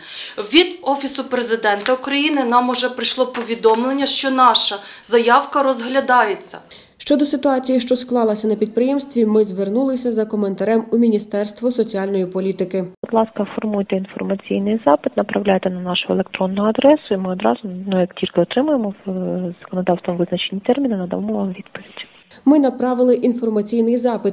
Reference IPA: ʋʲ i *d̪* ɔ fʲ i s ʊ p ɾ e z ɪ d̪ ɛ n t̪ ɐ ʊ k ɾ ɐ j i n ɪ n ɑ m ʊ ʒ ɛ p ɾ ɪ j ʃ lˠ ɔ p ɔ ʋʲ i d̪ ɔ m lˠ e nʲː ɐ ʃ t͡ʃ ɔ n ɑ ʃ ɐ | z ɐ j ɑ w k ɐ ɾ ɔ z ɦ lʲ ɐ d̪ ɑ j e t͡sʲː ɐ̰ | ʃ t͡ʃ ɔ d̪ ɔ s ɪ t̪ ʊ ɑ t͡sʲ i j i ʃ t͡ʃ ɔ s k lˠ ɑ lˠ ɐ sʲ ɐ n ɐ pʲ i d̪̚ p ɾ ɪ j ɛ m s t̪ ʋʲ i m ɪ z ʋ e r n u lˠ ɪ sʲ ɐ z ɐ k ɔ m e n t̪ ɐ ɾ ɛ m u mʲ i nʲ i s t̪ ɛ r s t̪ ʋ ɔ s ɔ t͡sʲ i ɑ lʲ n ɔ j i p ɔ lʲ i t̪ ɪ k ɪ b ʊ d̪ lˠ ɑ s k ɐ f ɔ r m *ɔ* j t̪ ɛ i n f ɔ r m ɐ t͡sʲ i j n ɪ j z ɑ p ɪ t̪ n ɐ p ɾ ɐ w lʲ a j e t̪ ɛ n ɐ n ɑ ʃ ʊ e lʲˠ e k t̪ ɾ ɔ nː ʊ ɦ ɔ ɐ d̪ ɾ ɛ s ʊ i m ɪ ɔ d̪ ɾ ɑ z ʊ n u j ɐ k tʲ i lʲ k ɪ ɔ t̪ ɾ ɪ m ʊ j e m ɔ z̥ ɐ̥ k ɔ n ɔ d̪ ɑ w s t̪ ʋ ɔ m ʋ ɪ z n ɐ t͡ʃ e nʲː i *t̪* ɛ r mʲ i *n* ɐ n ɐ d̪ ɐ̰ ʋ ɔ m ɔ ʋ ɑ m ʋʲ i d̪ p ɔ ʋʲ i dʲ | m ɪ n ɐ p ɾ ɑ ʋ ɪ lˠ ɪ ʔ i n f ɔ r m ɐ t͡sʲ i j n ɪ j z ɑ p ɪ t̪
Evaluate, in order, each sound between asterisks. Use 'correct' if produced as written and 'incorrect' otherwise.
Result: correct, incorrect, correct, correct

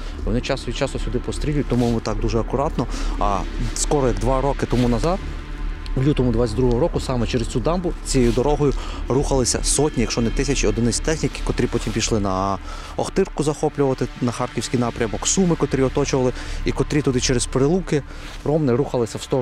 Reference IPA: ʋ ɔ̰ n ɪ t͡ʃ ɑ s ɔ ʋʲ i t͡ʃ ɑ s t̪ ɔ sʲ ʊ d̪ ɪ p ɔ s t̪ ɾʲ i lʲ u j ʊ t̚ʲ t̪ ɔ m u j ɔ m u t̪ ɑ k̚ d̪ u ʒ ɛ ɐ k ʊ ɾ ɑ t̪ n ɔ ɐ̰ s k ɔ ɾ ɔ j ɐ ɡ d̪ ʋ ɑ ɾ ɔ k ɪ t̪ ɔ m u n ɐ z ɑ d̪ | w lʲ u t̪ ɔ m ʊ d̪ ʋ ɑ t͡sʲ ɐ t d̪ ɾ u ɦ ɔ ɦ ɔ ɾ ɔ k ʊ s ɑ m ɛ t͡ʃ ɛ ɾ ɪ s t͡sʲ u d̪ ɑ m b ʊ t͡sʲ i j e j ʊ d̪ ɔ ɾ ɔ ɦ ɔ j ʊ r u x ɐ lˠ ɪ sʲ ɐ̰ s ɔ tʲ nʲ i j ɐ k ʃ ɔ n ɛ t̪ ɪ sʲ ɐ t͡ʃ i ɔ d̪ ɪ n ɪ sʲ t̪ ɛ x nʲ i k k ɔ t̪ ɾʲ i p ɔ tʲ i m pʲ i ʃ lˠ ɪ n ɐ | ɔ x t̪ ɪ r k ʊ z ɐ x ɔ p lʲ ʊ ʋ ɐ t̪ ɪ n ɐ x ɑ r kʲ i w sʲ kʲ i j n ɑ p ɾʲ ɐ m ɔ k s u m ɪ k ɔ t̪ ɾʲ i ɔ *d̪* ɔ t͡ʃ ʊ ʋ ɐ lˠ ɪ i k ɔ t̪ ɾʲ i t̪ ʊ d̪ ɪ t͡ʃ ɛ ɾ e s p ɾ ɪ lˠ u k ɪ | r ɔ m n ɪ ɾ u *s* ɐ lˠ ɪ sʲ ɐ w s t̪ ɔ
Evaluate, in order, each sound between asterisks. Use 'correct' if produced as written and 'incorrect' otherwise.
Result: incorrect, incorrect

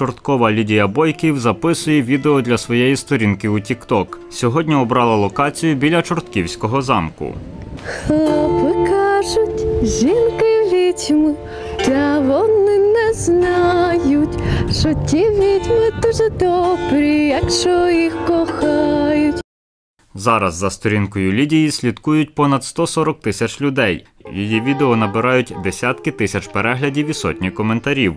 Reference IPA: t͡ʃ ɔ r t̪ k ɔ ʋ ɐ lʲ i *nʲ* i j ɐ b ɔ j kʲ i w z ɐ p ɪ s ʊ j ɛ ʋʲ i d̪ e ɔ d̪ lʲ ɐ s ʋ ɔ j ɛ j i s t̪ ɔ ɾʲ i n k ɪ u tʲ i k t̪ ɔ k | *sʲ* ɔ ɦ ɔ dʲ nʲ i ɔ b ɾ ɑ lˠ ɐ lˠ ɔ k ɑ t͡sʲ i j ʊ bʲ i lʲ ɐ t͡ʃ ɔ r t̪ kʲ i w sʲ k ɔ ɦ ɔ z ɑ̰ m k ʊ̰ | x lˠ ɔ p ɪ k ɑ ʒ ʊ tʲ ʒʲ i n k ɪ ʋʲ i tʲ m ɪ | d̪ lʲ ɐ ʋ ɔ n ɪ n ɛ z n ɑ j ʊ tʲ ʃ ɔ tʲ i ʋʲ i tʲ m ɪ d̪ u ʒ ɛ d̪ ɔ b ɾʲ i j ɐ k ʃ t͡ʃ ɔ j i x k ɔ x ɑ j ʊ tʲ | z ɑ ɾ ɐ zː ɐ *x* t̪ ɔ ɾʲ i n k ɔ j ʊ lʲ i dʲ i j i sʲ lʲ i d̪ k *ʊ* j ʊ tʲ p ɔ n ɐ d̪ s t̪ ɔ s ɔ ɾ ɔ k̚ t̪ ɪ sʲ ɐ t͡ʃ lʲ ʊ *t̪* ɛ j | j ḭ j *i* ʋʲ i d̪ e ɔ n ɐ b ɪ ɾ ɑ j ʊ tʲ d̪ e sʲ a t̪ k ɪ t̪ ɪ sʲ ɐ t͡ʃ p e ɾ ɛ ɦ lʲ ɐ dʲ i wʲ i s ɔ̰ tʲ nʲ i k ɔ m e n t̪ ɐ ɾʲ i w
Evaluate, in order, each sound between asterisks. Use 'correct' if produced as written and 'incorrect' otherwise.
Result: incorrect, correct, incorrect, incorrect, incorrect, correct

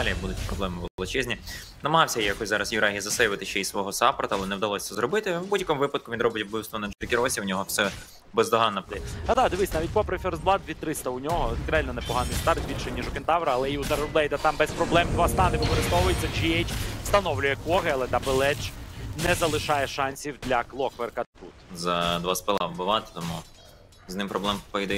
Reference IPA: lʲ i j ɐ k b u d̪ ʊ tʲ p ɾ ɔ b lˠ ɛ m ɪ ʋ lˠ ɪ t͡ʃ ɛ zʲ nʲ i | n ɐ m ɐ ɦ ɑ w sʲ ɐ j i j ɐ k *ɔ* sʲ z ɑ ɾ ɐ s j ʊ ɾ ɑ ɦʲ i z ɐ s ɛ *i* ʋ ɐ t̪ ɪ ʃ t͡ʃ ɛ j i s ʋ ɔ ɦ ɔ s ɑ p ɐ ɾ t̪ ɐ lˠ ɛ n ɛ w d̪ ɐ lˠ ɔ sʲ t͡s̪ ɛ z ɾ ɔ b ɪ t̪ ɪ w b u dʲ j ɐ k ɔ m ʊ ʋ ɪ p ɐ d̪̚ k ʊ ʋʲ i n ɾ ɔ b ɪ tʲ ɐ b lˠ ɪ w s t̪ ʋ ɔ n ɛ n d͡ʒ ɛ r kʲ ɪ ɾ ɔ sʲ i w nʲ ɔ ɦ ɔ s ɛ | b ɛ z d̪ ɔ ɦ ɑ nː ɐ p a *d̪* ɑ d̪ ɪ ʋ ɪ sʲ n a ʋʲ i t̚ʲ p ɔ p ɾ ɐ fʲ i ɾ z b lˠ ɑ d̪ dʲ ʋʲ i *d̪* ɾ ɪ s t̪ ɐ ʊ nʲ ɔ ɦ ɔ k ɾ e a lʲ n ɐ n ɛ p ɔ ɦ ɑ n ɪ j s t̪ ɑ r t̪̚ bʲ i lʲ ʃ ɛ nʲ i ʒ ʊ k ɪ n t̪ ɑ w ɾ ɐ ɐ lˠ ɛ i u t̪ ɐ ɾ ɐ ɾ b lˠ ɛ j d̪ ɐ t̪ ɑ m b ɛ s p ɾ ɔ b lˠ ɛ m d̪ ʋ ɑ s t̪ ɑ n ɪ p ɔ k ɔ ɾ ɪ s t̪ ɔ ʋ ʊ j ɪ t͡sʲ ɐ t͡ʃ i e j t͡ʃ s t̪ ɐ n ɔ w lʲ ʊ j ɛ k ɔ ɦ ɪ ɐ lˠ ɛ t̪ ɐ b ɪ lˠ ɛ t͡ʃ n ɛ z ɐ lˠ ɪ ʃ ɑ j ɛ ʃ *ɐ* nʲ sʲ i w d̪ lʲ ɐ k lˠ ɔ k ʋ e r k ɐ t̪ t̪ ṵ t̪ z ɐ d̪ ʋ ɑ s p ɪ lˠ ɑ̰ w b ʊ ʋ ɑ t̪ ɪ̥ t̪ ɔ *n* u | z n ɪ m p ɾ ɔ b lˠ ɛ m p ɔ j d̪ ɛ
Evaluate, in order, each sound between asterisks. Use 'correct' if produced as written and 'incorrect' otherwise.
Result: correct, incorrect, correct, incorrect, incorrect, incorrect

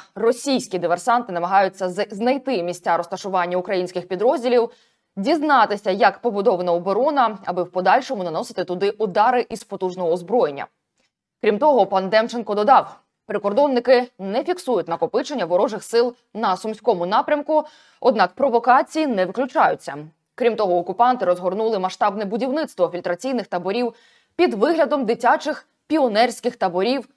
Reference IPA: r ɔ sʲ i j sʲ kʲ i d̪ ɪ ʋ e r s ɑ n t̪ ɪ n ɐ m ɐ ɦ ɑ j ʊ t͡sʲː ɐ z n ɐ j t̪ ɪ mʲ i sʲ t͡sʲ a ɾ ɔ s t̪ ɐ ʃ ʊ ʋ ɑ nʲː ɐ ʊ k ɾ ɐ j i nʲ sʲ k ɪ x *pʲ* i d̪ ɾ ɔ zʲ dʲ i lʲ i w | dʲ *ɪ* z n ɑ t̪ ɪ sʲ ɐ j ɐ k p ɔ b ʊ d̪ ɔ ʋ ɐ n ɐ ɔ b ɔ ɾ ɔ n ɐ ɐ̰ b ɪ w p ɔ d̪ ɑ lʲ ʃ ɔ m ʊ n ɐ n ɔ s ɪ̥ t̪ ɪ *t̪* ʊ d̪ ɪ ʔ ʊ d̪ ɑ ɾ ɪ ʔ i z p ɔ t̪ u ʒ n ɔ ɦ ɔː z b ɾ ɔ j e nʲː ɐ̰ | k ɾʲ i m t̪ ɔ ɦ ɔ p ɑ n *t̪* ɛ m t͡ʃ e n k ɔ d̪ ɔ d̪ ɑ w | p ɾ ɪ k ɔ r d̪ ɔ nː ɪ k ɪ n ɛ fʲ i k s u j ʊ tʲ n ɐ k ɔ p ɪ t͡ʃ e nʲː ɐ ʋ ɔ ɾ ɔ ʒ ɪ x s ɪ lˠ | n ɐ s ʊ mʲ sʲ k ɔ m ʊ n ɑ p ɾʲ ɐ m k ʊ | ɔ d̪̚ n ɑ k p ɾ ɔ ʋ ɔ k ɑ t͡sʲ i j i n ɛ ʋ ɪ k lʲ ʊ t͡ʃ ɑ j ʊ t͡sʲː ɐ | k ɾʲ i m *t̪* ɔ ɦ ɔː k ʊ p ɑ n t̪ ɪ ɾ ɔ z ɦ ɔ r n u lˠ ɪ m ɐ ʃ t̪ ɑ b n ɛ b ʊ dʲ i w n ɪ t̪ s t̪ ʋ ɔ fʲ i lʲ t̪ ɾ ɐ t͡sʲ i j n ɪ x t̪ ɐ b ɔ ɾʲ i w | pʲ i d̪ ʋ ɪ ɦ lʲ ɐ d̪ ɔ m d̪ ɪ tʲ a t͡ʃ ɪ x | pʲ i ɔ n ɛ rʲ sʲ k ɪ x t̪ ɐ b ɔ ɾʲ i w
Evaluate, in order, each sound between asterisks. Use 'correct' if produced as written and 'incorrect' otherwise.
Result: correct, incorrect, correct, incorrect, correct

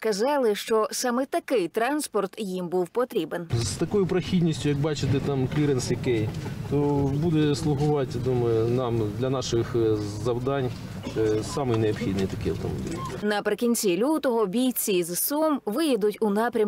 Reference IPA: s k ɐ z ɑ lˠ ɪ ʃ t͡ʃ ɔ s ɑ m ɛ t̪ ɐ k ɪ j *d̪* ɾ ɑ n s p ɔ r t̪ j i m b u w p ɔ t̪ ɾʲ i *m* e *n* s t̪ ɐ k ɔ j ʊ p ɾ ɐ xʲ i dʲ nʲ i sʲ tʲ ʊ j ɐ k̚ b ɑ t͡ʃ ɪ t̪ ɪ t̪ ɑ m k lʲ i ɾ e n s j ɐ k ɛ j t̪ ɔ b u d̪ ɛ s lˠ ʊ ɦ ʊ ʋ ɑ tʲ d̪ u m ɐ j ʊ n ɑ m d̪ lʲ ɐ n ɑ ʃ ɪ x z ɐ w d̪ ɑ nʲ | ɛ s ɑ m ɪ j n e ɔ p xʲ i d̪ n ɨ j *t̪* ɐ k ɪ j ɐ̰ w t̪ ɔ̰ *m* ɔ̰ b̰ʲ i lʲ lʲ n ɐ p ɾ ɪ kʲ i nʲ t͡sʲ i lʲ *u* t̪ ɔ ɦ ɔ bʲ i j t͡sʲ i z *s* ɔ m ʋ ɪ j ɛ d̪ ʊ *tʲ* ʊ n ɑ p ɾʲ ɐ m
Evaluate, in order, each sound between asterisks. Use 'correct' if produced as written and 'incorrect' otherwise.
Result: incorrect, incorrect, correct, correct, correct, correct, correct, correct

